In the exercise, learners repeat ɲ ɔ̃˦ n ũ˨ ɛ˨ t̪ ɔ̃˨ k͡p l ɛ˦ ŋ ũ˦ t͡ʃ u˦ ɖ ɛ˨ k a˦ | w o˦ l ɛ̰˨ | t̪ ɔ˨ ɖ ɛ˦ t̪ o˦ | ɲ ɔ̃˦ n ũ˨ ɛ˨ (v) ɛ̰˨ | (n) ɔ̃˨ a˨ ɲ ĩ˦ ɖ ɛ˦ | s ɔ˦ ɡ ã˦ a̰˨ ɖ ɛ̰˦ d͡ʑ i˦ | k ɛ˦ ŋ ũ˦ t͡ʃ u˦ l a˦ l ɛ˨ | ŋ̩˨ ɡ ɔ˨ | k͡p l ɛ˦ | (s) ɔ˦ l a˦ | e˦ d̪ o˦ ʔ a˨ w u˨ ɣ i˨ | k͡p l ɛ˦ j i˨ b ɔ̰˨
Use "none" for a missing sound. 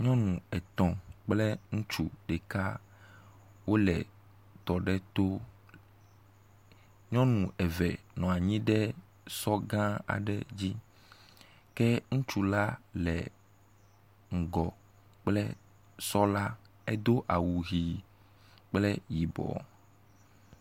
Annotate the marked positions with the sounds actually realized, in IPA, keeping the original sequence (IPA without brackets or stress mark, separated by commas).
v, n, s